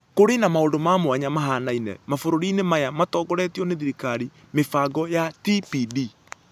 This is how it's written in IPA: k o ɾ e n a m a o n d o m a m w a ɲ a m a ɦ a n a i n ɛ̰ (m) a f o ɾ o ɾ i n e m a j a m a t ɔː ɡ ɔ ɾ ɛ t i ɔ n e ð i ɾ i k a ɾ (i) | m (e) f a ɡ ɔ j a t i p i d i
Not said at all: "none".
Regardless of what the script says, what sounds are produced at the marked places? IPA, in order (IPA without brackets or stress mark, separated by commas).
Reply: m, i, e